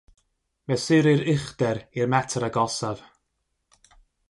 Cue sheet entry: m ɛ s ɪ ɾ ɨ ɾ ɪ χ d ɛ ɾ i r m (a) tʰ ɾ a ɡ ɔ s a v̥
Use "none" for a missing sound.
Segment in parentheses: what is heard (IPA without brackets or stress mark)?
ɛ